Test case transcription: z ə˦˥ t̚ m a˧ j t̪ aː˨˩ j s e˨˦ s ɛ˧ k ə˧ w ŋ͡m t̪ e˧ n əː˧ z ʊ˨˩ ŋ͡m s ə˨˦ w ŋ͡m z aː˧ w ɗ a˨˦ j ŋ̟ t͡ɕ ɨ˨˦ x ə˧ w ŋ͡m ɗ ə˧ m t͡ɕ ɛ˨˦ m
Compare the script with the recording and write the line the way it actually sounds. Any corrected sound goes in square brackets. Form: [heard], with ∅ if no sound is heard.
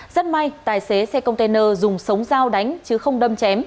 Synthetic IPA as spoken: z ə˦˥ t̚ m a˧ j t̪ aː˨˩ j s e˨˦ s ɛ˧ k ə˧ w ŋ͡m t̪ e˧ n əː˧ z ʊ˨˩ ŋ͡m s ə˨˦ w ŋ͡m z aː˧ w ɗ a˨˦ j ŋ̟ t͡ɕ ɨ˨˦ x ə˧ w ŋ͡m ɗ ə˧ m t͡ɕ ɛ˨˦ m

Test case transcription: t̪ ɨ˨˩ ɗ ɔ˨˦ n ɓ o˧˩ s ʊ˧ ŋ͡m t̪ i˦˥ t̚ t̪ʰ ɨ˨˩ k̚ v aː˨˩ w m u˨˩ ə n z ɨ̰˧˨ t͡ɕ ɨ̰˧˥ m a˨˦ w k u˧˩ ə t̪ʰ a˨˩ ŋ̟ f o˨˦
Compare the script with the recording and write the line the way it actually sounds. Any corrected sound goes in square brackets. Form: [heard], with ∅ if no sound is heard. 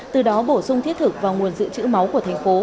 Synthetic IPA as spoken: t̪ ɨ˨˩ ɗ ɔ˨˦ [∅] ɓ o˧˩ s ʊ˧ ŋ͡m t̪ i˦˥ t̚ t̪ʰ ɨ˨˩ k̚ v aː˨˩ w [ŋ] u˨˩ ə n z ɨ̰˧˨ t͡ɕ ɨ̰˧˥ m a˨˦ w k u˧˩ ə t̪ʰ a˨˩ ŋ̟ f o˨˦

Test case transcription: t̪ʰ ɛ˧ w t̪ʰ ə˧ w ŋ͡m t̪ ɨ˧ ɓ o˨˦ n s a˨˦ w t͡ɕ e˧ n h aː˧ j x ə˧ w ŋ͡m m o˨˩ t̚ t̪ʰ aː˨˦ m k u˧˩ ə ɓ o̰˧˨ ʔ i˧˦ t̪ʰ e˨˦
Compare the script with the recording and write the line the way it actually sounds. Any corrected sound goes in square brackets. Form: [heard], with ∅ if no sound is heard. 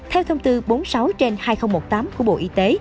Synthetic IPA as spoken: t̪ʰ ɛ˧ w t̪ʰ ə˧ w ŋ͡m t̪ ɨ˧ ɓ o˨˦ n s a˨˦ w t͡ɕ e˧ n h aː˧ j x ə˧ w ŋ͡m m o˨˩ t̚ [t̪] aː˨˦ m k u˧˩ ə ɓ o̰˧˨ ʔ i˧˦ [t̪] e˨˦

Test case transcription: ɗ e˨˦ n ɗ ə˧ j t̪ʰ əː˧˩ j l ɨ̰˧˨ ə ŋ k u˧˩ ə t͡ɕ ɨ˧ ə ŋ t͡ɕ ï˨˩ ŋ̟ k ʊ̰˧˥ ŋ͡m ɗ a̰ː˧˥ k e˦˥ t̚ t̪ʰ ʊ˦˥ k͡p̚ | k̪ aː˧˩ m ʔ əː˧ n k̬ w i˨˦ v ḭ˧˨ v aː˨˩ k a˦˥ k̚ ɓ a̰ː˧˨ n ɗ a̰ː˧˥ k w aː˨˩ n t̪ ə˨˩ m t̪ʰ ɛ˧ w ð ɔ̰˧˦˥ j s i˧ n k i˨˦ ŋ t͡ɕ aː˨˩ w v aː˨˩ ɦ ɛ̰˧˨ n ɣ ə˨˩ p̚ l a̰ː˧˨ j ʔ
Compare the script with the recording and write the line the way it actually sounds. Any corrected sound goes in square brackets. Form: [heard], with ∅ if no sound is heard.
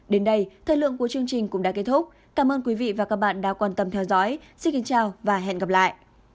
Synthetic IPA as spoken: ɗ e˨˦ n ɗ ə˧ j t̪ʰ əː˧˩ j l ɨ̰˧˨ ə ŋ k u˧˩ ə t͡ɕ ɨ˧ ə ŋ t͡ɕ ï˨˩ ŋ̟ k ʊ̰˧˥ ŋ͡m ɗ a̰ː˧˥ k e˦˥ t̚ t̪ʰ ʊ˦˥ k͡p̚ | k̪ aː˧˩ m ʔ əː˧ n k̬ w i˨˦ v ḭ˧˨ v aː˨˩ k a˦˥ k̚ ɓ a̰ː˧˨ n ɗ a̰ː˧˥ k w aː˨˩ n t̪ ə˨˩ m t̪ʰ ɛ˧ w [z] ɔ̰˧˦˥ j s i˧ n k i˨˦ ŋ t͡ɕ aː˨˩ w v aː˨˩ ɦ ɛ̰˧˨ n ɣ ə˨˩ p̚ l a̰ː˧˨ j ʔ

